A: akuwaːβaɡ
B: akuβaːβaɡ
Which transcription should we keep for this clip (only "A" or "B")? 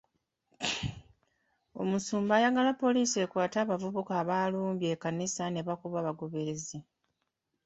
B